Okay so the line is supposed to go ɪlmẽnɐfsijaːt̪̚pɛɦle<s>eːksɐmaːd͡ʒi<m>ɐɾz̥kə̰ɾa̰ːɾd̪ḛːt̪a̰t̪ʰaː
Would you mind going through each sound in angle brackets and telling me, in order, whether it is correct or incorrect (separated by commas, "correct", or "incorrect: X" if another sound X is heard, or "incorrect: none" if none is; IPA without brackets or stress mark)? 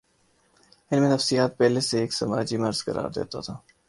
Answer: correct, correct